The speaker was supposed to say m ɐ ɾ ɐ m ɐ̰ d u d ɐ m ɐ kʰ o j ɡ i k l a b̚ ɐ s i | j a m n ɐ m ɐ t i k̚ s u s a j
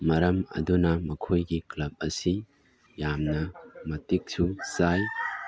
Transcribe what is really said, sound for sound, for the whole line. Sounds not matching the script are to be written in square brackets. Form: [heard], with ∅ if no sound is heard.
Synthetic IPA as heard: m ɐ ɾ ɐ m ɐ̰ d u [n] ɐ m ɐ kʰ o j ɡ i k l [ɐ] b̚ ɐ s i | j a m n ɐ m ɐ t i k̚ s u s a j